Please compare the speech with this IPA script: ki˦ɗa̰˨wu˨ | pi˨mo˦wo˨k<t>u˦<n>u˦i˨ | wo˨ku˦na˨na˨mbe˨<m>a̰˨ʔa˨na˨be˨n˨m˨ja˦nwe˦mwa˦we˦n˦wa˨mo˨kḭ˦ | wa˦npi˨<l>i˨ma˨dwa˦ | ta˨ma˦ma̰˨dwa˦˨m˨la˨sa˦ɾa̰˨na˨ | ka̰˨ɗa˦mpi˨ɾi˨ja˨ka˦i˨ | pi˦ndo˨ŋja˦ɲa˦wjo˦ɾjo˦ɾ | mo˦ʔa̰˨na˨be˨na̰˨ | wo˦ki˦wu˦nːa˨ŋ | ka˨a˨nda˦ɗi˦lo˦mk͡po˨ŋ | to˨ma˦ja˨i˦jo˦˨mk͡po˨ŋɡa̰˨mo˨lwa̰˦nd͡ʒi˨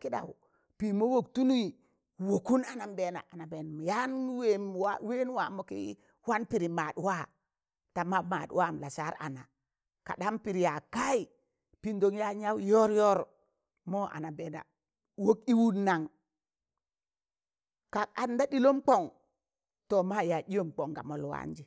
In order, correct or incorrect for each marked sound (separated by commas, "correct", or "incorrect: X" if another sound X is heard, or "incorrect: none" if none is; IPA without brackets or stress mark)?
correct, correct, incorrect: n, incorrect: ɾ